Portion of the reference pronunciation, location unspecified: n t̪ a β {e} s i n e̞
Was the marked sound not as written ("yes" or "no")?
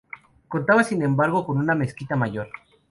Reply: yes